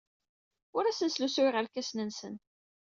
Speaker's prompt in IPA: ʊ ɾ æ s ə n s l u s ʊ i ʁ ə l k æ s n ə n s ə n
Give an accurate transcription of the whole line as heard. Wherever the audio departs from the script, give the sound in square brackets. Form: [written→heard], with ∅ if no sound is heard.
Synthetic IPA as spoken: ʊ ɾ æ s ə n s l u s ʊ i ʁ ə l k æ s n ə n s ə n